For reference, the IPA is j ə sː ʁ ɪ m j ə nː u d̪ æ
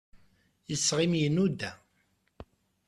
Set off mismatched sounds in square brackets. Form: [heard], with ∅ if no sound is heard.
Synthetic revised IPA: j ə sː ʁ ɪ m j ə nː u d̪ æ